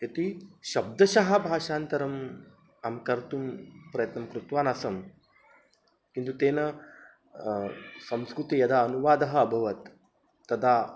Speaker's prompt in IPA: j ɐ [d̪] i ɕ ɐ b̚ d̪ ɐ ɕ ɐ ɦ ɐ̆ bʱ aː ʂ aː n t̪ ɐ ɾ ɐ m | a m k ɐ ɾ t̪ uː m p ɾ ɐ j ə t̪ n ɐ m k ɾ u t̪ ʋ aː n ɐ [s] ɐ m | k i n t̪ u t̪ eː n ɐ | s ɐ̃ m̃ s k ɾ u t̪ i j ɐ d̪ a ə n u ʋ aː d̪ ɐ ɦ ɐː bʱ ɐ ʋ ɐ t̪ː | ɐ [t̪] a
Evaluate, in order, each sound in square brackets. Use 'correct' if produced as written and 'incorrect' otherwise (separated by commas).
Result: incorrect, correct, incorrect